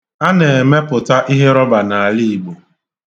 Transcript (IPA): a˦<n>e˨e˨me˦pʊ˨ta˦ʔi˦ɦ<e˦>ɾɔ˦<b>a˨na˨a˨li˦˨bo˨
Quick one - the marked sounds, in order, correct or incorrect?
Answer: correct, correct, correct

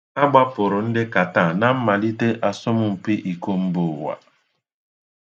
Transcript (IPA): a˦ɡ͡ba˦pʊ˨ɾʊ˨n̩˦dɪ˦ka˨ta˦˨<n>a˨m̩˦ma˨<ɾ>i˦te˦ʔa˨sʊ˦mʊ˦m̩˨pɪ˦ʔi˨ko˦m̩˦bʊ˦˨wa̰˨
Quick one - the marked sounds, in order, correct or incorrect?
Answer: correct, incorrect

